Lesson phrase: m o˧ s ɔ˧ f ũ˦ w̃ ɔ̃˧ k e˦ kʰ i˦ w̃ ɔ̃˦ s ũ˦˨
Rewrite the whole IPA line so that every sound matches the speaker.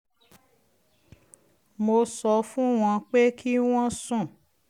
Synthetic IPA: m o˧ s ɔ˧ f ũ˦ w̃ ɔ̃˧ k͡p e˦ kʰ i˦ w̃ ɔ̃˦ s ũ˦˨

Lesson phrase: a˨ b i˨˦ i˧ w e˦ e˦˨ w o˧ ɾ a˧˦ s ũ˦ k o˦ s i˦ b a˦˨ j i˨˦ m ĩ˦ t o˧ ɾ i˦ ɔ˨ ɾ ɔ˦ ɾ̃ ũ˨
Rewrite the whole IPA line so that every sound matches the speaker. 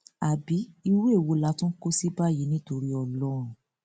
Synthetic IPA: a˨ b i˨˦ i˧ w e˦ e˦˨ w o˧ l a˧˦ t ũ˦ k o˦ s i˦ b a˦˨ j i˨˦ n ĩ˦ t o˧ ɾ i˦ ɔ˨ l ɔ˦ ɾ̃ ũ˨

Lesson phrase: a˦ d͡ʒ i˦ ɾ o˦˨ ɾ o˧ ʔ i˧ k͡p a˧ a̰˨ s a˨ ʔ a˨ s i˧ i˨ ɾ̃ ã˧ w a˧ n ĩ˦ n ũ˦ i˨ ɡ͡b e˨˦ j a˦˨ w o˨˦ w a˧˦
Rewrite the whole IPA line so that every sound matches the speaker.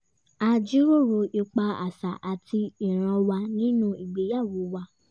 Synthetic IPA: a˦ d͡ʒ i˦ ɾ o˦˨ ɾ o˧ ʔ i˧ k͡p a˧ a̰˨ s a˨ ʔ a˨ t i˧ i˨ ɾ̃ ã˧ w a˧ n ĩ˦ n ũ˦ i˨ ɡ͡b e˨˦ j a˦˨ w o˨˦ w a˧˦

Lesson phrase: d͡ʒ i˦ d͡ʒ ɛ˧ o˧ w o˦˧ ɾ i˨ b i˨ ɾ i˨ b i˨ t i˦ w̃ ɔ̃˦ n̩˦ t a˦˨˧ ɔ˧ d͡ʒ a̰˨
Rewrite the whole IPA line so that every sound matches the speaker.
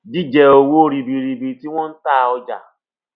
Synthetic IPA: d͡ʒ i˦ d͡ʒ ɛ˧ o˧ w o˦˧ ɾ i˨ b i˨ ɾ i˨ b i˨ t i˦ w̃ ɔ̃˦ n̩˦ t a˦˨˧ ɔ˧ d͡ʒ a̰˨

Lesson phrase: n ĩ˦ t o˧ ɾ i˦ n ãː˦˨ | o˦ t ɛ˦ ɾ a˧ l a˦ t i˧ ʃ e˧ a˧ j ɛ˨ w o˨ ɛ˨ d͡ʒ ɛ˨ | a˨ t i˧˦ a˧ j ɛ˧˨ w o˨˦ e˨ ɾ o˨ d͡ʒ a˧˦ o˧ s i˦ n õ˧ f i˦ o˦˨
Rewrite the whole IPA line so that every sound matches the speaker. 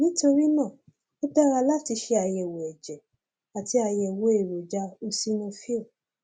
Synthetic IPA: n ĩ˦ t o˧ ɾ i˦ n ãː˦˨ | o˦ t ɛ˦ ɾ a˧ l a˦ t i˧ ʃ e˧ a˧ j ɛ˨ w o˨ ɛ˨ d͡ʒ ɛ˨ | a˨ t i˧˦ a˧ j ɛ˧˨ w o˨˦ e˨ ɾ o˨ d͡ʒ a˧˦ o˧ s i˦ n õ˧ f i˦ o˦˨

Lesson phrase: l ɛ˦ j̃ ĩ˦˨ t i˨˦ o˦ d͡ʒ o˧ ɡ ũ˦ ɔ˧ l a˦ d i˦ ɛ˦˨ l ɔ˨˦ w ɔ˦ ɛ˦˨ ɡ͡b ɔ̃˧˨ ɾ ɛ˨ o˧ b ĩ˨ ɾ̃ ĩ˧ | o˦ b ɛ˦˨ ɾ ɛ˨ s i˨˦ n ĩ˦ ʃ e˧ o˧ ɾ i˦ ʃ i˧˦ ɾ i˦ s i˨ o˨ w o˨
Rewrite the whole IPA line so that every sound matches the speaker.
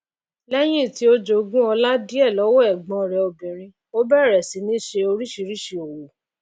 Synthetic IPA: l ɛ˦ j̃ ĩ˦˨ t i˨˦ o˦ d͡ʒ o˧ ɡ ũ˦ ɔ˧ l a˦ d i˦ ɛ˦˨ l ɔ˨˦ w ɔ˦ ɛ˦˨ ɡ͡b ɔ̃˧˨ ɾ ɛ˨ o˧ b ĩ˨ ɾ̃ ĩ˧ | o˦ b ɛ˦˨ ɾ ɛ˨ s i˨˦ n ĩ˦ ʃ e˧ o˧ ɾ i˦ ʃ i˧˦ ɾ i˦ ʃ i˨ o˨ w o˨

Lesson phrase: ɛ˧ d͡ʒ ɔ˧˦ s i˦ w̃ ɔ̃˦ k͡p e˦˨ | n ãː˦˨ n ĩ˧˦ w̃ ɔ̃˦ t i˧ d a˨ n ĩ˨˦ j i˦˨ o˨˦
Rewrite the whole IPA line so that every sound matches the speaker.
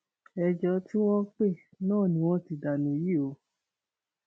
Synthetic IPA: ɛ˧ d͡ʒ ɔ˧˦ t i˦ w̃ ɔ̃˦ k͡p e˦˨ | n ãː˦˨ n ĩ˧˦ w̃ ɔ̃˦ t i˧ d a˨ n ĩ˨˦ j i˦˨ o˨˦

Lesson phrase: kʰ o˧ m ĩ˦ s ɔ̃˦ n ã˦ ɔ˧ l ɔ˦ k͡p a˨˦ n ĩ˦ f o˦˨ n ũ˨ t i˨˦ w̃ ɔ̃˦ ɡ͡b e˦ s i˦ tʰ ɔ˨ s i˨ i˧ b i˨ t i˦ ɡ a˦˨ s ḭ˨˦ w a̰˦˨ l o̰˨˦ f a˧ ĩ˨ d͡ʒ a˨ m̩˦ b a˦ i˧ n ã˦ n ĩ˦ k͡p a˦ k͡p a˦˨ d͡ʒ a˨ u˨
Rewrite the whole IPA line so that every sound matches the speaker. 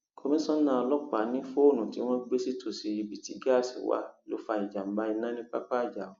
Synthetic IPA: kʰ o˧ m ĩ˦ s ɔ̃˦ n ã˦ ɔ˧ l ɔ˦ k͡p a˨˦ n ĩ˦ f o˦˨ n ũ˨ t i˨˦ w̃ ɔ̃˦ ɡ͡b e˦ s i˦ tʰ o˨ s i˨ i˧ b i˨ t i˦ ɡ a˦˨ s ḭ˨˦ w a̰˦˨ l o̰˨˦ f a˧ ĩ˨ d͡ʒ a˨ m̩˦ b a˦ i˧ n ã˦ n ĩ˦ k͡p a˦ k͡p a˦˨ d͡ʒ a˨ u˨

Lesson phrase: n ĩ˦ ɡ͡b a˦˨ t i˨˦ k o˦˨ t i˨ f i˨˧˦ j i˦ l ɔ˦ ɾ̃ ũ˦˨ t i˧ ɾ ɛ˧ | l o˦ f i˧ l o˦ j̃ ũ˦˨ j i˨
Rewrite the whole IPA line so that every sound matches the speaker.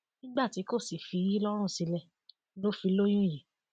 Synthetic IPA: n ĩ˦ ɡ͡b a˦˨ t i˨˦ k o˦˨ s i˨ f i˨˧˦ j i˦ l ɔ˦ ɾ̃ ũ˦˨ s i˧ l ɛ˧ | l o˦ f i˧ l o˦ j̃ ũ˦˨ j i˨

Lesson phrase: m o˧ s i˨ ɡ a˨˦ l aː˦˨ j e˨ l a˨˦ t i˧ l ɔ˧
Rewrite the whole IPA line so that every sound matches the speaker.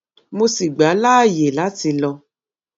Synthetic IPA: m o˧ s i˨ ɡ͡b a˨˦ l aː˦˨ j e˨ l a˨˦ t i˧ l ɔ˧

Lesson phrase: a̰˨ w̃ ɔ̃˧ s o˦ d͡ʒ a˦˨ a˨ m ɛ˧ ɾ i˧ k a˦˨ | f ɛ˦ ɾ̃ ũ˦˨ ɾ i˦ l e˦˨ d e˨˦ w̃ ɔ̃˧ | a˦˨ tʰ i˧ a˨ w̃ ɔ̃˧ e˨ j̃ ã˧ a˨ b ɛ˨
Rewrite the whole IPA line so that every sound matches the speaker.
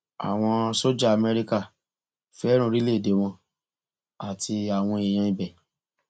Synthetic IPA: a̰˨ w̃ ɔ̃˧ s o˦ d͡ʒ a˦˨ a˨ m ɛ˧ ɾ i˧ k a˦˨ | f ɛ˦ ɾ̃ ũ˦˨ ɾ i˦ l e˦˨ d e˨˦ w̃ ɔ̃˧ | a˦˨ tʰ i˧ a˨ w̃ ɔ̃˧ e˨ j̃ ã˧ i˨ b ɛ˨

